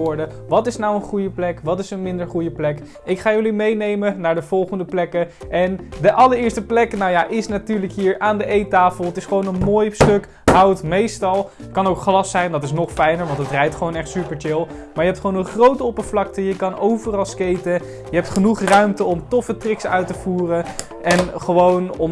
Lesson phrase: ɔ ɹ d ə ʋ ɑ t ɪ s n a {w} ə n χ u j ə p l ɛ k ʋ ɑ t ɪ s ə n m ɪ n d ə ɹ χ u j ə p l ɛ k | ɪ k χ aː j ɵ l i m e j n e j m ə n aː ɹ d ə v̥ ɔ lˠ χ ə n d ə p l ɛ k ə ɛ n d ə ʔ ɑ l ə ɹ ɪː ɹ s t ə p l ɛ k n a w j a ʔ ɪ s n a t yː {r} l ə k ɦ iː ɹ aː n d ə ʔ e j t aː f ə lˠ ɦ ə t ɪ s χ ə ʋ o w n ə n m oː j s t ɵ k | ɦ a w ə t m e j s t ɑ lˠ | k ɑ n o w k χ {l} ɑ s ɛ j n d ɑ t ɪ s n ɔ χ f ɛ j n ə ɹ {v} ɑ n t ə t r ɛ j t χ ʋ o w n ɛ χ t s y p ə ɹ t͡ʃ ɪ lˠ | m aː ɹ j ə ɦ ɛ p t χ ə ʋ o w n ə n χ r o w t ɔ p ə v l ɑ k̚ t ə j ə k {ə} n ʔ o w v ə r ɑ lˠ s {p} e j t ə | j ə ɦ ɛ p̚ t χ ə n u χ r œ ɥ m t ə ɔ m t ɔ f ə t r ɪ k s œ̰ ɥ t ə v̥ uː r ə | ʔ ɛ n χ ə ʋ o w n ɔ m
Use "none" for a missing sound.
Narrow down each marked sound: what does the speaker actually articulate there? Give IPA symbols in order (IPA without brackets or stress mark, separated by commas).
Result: w, ɹ, l, ʋ, ɑ, k